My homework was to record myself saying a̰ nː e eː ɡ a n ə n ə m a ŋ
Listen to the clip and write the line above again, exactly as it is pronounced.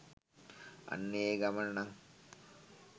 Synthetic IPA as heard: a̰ nː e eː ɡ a m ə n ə n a ŋ